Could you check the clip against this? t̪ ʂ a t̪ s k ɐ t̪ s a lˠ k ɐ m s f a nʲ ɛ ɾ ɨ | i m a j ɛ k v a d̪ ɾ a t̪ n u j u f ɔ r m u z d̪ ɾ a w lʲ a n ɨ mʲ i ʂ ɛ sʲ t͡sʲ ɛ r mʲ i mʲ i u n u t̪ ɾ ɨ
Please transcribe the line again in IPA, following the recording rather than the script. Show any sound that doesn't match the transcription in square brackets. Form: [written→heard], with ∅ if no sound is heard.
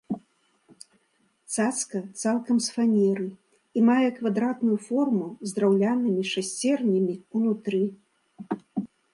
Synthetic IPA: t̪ [ʂ→s] a t̪ s k ɐ t̪ s a lˠ k ɐ m s f a nʲ ɛ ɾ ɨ | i m a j ɛ k v a d̪ ɾ a t̪ n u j u f ɔ r m u z d̪ ɾ a w lʲ a n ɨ mʲ i ʂ [ɛ→a] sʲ t͡sʲ ɛ r [mʲ→nʲ] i mʲ i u n u t̪ ɾ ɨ

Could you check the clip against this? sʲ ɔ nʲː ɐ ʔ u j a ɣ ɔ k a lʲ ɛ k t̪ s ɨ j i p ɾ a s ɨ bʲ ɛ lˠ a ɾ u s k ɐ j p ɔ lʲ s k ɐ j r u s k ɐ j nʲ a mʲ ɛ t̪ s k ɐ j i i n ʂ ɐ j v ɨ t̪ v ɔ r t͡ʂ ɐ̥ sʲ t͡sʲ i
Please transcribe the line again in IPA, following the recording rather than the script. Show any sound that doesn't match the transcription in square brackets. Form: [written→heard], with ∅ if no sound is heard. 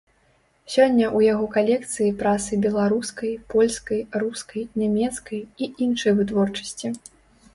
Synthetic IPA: sʲ ɔ nʲː ɐ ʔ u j a ɣ ɔ k a lʲ ɛ k t̪ s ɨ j i p ɾ a s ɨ bʲ ɛ lˠ a ɾ u s k ɐ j p ɔ lʲ s k ɐ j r u s k ɐ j nʲ a mʲ ɛ t̪ s k ɐ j i i n ʂ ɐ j v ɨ t̪ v ɔ r t͡ʂ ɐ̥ sʲ t͡sʲ i

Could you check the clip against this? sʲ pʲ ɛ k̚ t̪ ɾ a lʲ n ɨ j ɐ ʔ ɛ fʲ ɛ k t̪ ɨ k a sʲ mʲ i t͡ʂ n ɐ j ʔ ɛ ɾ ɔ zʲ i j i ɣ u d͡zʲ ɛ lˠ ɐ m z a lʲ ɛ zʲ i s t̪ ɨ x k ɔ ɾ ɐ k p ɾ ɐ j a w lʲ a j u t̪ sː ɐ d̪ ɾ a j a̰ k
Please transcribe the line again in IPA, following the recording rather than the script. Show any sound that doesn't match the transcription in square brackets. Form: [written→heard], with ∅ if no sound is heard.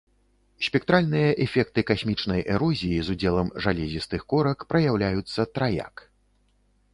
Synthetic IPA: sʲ pʲ ɛ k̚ t̪ ɾ a lʲ n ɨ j ɐ ʔ ɛ fʲ ɛ k t̪ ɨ k a sʲ mʲ i t͡ʂ n ɐ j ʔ ɛ ɾ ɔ zʲ i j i [ɣ→z] u d͡zʲ ɛ lˠ ɐ m [z→ʐ] a lʲ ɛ zʲ i s t̪ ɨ x k ɔ ɾ ɐ k p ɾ ɐ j a w lʲ a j u t̪ sː ɐ [d̪→t̪] ɾ a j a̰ k

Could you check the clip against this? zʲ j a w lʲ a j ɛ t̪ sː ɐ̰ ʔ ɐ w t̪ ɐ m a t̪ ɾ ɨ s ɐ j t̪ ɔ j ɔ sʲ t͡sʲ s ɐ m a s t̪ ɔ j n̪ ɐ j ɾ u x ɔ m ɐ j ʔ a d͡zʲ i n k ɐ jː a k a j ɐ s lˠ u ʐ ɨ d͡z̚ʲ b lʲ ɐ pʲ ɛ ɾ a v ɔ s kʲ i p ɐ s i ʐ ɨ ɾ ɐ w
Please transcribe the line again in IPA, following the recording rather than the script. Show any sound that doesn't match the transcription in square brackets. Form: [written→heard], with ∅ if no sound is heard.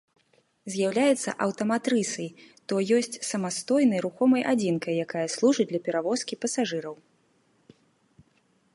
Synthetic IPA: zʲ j a w lʲ a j ɛ t̪ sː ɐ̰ ʔ ɐ w t̪ ɐ m a t̪ ɾ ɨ s ɐ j t̪ ɔ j ɔ sʲ t͡sʲ s ɐ m a s t̪ ɔ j n̪ ɐ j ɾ u x ɔ m ɐ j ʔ a d͡zʲ i n k ɐ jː a k a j ɐ s lˠ u ʐ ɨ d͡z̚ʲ [b→d] lʲ ɐ pʲ ɛ ɾ a v ɔ s kʲ i p ɐ s [i→a] ʐ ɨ ɾ ɐ w

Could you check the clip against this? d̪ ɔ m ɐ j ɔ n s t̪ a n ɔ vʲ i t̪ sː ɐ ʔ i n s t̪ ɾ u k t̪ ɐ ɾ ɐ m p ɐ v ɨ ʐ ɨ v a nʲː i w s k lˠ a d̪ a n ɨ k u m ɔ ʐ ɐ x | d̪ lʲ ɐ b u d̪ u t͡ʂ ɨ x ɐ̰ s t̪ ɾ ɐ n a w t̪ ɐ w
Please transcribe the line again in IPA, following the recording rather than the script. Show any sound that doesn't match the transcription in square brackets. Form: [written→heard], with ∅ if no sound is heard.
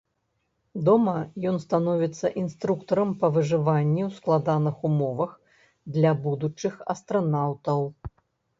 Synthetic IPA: d̪ ɔ m ɐ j ɔ n s t̪ a n ɔ vʲ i t̪ sː ɐ ʔ i n s t̪ ɾ u k t̪ ɐ ɾ ɐ m p ɐ v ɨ ʐ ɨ v a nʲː i w s k lˠ a d̪ a n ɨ [k→x] u m ɔ [ʐ→v] ɐ x | d̪ lʲ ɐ b u d̪ u t͡ʂ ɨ x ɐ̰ s t̪ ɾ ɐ n a w t̪ ɐ w

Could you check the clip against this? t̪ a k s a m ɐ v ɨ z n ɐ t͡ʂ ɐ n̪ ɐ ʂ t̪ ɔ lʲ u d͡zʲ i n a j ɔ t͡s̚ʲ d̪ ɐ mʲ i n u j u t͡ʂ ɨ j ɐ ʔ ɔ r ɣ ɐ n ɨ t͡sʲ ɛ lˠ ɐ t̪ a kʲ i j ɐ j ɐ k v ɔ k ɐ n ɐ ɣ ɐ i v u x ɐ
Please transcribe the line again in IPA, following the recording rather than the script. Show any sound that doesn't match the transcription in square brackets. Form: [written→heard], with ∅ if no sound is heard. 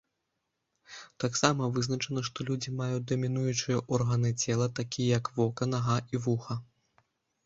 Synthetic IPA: t̪ a k s a m ɐ v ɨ z n ɐ t͡ʂ ɐ n̪ ɐ ʂ t̪ ɔ lʲ u d͡zʲ i [n→m] a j [ɔ→u] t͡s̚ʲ d̪ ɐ mʲ i n u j u t͡ʂ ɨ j ɐ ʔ ɔ r ɣ ɐ n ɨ t͡sʲ ɛ lˠ ɐ t̪ a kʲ i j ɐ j ɐ k v ɔ k ɐ n ɐ ɣ ɐ i v u x ɐ

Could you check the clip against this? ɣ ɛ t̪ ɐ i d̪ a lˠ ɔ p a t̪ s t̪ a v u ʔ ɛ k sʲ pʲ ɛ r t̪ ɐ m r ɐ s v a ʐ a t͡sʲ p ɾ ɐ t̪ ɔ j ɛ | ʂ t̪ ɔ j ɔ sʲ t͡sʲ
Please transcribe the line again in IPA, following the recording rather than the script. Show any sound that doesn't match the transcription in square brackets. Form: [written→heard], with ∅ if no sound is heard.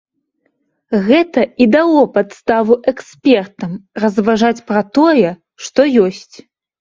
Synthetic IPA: ɣ ɛ t̪ ɐ i d̪ a lˠ ɔ p a t̪ s t̪ a v u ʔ ɛ k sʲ pʲ ɛ r t̪ ɐ m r ɐ [s→z] v a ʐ a t͡sʲ p ɾ ɐ t̪ ɔ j ɛ | ʂ t̪ ɔ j ɔ sʲ t͡sʲ

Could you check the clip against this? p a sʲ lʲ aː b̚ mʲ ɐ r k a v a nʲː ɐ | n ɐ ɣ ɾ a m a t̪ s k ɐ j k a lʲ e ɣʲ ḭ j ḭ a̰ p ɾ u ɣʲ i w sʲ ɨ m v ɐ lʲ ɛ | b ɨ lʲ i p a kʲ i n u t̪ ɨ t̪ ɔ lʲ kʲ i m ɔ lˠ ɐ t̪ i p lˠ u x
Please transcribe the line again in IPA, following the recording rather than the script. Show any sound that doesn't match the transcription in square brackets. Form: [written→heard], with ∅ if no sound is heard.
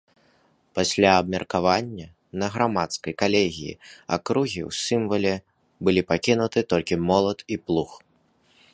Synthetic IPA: p a sʲ lʲ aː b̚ mʲ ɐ r k a v a nʲː ɐ | n ɐ ɣ ɾ a m a t̪ s k ɐ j k a lʲ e ɣʲ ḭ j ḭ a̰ [p→k] ɾ u ɣʲ i w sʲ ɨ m v ɐ lʲ ɛ | b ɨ lʲ i p a kʲ i n u t̪ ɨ t̪ ɔ lʲ kʲ i m ɔ lˠ ɐ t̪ i p lˠ u x

